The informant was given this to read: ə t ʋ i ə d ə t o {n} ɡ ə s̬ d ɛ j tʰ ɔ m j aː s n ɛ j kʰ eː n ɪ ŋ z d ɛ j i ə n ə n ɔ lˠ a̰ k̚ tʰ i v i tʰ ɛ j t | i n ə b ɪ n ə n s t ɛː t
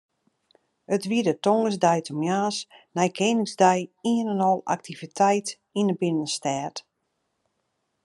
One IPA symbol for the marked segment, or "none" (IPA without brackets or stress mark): ŋ